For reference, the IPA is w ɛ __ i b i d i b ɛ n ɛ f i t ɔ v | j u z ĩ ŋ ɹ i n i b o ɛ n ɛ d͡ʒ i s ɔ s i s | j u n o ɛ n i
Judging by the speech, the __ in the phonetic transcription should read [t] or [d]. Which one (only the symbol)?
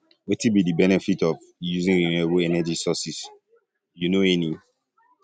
t